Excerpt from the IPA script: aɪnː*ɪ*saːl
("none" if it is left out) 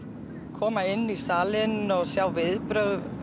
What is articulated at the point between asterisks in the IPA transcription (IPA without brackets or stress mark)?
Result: i